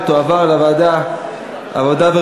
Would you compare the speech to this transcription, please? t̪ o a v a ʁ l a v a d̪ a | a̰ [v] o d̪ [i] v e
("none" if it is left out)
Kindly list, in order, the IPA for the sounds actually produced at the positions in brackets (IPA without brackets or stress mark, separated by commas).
v, a